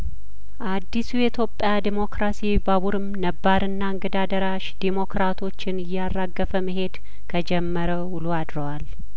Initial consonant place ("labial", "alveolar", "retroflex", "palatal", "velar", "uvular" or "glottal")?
glottal